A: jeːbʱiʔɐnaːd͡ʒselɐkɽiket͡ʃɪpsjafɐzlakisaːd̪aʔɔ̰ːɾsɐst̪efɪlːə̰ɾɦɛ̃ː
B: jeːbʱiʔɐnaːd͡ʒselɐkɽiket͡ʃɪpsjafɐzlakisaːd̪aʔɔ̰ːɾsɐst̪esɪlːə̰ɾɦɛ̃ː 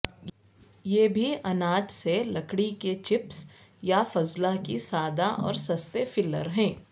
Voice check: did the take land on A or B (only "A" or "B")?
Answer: A